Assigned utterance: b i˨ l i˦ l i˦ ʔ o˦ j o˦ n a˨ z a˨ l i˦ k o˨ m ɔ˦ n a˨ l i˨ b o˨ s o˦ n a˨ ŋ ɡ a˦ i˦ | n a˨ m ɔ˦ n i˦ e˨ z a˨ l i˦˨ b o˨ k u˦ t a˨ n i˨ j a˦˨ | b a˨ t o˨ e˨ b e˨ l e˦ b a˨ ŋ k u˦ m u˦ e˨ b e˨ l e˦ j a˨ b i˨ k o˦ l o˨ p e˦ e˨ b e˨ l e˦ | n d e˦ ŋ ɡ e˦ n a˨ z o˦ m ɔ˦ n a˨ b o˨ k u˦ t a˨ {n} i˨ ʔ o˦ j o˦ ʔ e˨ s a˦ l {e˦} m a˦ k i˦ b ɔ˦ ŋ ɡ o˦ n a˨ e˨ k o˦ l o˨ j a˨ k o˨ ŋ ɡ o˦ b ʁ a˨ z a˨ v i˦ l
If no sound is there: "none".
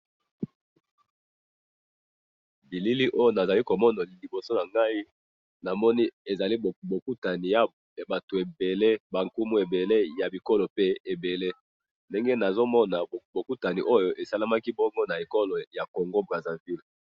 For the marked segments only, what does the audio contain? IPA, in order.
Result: n, a˦

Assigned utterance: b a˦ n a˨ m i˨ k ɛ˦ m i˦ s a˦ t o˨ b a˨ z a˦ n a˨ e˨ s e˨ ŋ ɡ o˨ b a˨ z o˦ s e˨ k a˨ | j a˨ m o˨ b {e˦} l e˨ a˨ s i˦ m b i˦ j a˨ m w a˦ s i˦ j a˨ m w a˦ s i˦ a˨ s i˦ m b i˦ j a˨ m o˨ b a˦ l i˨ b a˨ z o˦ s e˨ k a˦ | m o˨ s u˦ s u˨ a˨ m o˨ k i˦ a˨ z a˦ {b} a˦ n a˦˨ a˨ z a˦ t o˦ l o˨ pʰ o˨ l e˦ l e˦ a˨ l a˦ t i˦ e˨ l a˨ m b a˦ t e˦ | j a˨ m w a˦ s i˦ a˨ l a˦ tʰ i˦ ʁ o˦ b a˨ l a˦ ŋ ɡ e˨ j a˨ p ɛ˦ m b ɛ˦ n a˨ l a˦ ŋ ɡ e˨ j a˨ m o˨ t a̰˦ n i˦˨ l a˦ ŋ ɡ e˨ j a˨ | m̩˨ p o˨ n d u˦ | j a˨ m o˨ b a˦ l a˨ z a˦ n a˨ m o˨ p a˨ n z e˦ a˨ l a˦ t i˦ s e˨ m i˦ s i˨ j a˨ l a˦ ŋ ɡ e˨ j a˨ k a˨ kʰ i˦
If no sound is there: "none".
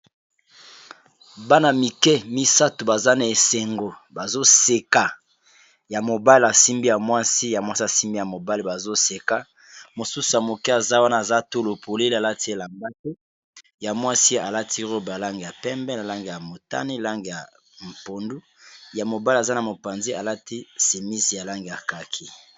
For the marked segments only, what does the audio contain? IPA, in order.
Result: a˦, w

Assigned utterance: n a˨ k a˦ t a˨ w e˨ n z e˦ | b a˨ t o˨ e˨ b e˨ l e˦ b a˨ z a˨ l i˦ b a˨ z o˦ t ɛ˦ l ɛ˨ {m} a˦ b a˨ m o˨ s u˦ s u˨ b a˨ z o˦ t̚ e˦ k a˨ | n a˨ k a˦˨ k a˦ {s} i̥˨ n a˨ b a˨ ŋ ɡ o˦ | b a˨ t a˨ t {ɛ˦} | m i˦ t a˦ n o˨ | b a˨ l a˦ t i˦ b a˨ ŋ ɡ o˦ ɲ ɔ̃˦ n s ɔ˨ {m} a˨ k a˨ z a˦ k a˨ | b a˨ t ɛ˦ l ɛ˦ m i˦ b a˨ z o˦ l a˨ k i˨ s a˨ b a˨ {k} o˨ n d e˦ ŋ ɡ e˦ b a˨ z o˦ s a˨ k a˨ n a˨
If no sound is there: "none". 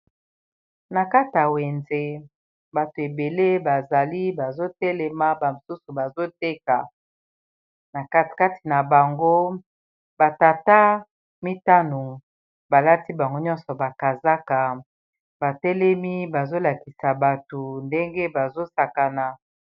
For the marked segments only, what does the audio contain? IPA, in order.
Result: m, t, a˦, b, t

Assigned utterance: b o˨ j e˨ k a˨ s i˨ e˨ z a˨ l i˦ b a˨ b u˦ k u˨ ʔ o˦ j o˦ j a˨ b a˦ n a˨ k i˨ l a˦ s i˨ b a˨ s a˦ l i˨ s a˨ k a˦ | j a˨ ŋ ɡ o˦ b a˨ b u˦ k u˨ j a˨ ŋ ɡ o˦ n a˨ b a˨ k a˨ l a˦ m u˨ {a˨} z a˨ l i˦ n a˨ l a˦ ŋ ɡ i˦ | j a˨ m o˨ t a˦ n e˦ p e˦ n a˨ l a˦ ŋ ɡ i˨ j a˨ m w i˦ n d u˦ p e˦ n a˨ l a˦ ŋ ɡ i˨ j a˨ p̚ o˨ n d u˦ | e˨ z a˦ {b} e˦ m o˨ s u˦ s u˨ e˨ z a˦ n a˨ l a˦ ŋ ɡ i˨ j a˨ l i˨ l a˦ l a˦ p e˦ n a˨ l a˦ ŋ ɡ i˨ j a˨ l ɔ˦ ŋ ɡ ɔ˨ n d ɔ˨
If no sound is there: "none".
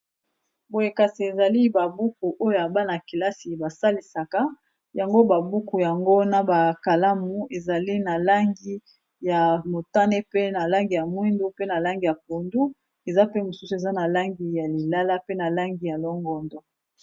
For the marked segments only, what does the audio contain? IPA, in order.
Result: e˨, p

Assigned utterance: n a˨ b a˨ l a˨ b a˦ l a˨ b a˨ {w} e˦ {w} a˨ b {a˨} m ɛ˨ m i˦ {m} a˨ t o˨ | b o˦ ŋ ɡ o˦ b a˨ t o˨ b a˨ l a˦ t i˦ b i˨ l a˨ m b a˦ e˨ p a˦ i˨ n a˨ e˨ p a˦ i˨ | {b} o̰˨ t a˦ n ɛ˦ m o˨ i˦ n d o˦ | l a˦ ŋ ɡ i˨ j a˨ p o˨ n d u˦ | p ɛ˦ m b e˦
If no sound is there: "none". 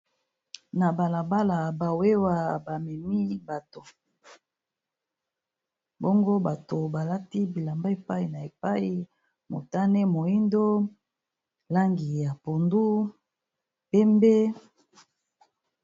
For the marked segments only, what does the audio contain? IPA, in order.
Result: w, w, a˨, b, m

